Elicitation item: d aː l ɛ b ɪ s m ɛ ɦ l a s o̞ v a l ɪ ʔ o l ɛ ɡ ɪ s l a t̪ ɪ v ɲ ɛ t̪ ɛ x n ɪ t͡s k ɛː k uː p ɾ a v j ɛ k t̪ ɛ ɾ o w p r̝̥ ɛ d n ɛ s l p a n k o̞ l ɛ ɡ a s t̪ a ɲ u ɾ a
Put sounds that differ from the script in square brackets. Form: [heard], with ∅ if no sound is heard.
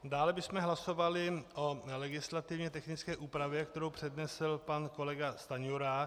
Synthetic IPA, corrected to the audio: d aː l ɛ b ɪ s m ɛ ɦ l a s o̞ v a l ɪ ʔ o l ɛ ɡ ɪ s l a t̪ ɪ v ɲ ɛ t̪ ɛ x n ɪ t͡s k ɛː [ʔ] uː p ɾ a v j ɛ k t̪ ɛ ɾ o w p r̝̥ ɛ d n ɛ s l p a n k o̞ l ɛ ɡ a s t̪ a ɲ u ɾ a